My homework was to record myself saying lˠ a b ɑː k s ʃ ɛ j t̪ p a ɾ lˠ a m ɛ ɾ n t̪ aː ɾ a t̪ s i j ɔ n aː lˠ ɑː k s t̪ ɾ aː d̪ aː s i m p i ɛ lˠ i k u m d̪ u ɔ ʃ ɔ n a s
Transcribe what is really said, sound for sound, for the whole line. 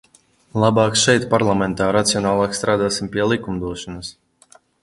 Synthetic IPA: lˠ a b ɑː k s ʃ ɛ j t̪ p a ɾ lˠ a m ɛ n t̪ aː ɾ a t̪ s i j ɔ n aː lˠ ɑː k s t̪ ɾ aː d̪ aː s i m p i ɛ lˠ i k u m d̪ u ɔ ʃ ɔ n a s